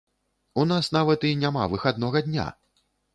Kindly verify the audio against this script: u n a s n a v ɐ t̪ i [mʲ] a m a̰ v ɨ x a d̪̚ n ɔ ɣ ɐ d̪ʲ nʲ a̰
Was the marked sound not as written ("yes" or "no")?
yes